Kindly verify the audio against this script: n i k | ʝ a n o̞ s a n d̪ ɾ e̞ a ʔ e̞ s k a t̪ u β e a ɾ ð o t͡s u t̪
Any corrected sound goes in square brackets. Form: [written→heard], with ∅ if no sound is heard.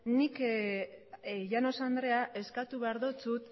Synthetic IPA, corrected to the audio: n i k | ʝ a n o̞ s a n d̪ ɾ e̞ a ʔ e̞ s k a t̪ u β e a ɾ ð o t͡s u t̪